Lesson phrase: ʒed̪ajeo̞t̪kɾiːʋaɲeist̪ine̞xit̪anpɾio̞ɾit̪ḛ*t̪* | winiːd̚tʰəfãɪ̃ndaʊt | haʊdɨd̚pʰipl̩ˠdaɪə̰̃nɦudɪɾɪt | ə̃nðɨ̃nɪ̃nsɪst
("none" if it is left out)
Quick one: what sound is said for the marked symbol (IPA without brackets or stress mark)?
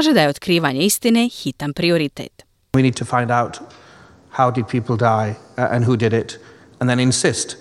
t̪